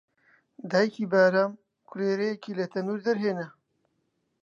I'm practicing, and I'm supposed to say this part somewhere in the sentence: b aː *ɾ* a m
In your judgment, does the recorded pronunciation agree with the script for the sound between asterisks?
yes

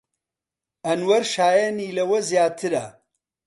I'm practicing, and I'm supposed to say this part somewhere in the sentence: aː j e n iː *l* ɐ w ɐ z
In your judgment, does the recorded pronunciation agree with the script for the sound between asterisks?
yes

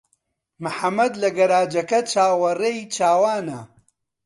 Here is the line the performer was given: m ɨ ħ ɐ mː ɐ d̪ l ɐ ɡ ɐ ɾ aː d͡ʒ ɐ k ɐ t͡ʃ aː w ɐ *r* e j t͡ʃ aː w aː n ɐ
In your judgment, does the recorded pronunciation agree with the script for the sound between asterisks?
yes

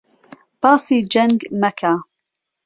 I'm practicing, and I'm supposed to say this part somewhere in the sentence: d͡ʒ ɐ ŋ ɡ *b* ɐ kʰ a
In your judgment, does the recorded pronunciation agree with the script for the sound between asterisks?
no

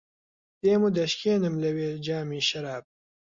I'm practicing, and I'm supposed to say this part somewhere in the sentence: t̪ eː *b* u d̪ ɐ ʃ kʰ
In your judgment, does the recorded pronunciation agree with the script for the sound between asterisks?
no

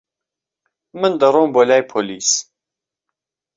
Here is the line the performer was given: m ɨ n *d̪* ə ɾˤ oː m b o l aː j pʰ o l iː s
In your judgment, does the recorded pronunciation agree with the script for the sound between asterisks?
yes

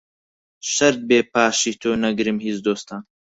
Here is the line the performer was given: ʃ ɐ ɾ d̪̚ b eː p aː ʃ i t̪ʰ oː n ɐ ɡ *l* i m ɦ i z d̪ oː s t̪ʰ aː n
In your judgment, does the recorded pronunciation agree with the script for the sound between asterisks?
no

